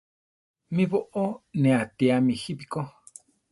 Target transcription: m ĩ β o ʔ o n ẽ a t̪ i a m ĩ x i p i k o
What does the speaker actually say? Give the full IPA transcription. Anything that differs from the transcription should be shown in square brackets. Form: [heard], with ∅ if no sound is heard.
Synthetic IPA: m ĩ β o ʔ o n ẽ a t̪ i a m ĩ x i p i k o